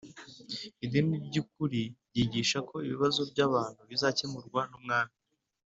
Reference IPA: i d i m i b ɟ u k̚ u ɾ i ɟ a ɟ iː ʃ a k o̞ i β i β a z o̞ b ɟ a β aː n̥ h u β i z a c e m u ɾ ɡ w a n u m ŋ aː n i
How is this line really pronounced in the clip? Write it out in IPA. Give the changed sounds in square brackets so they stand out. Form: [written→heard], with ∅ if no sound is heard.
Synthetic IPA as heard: i d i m i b ɟ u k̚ u ɾ i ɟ [a→i] ɟ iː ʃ a k o̞ i β i β a z o̞ b ɟ a β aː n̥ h u β i z a c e m u ɾ ɡ w a n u m ŋ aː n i